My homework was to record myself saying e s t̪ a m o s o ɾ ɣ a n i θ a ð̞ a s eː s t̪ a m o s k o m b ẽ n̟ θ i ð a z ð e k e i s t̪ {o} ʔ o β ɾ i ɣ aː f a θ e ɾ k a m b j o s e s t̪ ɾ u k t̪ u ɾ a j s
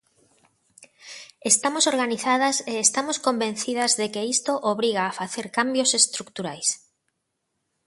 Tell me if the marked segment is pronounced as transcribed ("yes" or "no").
yes